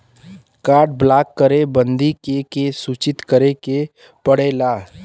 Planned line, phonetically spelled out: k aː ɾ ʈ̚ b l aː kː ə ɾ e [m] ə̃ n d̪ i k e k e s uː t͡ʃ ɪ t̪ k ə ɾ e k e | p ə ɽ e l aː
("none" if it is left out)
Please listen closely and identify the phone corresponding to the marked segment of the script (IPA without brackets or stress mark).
b